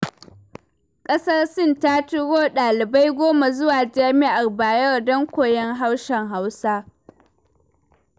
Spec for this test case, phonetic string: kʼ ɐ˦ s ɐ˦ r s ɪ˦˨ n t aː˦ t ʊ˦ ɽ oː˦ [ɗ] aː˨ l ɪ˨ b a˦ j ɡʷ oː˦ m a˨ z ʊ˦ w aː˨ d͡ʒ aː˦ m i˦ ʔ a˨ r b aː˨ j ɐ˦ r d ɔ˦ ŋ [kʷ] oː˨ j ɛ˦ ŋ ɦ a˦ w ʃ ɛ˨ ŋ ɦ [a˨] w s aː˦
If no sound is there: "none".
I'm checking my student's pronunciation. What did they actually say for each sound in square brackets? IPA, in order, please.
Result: ɗ, kʷ, a˦

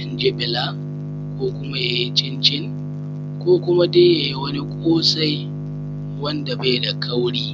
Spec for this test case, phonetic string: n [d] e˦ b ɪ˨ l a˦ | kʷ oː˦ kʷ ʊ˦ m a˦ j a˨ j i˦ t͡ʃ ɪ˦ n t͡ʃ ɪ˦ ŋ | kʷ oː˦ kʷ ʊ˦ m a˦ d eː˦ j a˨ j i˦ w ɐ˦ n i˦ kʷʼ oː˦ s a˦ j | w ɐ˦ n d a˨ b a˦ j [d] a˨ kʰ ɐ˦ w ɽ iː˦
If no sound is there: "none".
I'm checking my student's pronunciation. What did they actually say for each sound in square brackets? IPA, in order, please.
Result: d͡ʒ, d

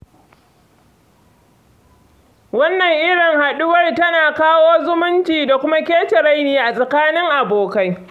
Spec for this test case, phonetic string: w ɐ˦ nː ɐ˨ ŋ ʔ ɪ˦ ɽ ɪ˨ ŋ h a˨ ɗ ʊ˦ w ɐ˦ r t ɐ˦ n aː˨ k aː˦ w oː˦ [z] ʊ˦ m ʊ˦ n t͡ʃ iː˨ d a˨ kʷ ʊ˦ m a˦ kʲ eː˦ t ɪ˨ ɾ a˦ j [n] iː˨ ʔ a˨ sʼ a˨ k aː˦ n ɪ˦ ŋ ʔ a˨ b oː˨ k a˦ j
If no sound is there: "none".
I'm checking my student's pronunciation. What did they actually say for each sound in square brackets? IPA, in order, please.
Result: z, n

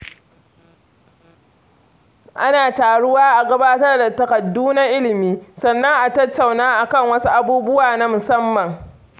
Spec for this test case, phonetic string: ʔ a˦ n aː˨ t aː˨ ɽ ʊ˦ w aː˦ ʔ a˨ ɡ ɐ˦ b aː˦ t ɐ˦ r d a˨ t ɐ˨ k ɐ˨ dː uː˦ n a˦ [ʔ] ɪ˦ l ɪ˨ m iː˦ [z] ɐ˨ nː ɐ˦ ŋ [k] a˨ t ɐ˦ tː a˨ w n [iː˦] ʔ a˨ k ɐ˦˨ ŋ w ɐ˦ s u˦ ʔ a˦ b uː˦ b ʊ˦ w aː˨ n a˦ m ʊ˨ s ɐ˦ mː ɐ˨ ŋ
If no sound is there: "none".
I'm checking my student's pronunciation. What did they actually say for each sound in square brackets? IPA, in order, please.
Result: ʔ, s, ʔ, aː˦

